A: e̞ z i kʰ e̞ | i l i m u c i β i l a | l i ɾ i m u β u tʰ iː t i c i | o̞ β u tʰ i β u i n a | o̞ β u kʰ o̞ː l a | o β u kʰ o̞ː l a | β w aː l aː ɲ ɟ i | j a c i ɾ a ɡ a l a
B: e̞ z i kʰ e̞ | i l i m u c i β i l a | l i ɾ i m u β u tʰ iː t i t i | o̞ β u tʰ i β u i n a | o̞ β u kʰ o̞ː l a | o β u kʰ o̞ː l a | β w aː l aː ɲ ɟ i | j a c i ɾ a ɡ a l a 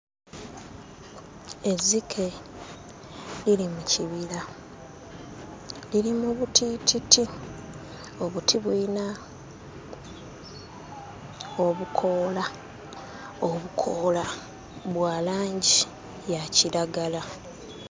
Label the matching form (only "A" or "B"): B